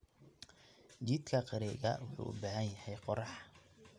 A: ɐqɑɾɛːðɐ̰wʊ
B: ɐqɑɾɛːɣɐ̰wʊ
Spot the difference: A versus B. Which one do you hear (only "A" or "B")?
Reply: B